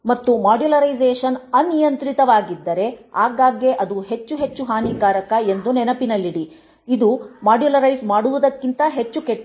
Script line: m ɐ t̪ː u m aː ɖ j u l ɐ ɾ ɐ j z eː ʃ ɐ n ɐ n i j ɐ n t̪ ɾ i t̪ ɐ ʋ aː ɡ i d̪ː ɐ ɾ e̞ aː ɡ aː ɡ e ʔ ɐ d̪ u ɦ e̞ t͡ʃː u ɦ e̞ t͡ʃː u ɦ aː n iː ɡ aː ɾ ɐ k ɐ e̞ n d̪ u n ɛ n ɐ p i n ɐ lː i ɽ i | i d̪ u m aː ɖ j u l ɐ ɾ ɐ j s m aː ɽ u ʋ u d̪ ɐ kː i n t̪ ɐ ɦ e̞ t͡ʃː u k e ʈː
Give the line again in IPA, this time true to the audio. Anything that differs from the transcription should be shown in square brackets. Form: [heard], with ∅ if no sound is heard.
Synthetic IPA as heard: m ɐ t̪ː u m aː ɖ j u l ɐ ɾ ɐ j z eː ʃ ɐ n ɐ n i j ɐ n t̪ ɾ i t̪ ɐ ʋ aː ɡ i d̪ː ɐ ɾ e̞ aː ɡ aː ɡ e ʔ ɐ d̪ u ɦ e̞ t͡ʃː u ɦ e̞ t͡ʃː u ɦ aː n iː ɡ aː ɾ ɐ k ɐ e̞ n d̪ u n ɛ n ɐ p i n ɐ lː i ɽ i | i d̪ u m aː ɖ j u l ɐ ɾ ɐ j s m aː ɽ u ʋ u d̪ ɐ kː i n t̪ ɐ ɦ e̞ t͡ʃː u k e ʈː